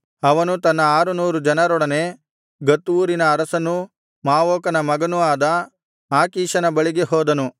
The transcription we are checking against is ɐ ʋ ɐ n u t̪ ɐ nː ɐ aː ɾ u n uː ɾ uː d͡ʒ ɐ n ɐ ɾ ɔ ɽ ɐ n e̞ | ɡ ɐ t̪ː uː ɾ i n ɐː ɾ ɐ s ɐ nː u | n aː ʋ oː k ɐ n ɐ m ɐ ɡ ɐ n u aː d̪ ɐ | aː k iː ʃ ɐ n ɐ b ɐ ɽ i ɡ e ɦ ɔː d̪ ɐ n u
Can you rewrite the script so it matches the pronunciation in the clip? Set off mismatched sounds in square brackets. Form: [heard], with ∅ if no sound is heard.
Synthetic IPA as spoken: ɐ ʋ ɐ n u t̪ ɐ nː ɐ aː ɾ u n uː ɾ [u] d͡ʒ ɐ n ɐ ɾ ɔ ɽ ɐ n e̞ | ɡ ɐ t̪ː uː ɾ i n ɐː ɾ ɐ s ɐ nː u | [m] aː ʋ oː k ɐ n ɐ m ɐ ɡ ɐ n u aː d̪ ɐ | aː k iː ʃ ɐ n ɐ b ɐ [ɭ] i ɡ e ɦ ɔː d̪ ɐ n u